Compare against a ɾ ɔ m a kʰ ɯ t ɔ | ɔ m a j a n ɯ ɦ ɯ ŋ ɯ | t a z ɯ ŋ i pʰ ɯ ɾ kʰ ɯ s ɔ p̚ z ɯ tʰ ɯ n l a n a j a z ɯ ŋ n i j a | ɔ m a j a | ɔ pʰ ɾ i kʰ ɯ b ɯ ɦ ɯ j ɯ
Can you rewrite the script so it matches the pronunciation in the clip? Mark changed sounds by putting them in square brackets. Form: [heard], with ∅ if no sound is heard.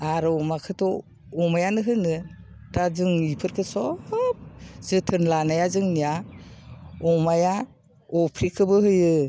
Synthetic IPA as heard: a ɾ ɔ m a kʰ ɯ t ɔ | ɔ m a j a n ɯ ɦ ɯ [n] ɯ | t a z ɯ ŋ i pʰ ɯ ɾ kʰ ɯ s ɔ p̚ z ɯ tʰ ɯ n l a n a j a z ɯ ŋ n i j a | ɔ m a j a | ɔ pʰ ɾ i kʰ ɯ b ɯ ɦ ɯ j ɯ